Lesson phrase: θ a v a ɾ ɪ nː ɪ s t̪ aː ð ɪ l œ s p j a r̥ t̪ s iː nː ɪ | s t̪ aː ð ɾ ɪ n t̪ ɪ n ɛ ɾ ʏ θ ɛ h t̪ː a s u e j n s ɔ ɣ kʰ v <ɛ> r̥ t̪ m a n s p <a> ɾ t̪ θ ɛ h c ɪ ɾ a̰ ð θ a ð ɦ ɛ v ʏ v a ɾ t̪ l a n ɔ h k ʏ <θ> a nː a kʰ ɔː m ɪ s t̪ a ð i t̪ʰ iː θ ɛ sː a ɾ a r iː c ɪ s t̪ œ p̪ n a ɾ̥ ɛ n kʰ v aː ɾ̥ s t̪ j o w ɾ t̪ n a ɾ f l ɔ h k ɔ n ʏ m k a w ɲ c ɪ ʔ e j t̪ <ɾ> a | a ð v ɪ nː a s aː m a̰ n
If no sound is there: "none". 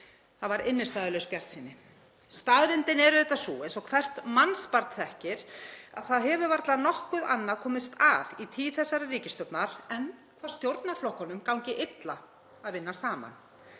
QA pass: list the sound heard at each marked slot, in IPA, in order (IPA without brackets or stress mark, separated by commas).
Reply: ɛ, a, ð, l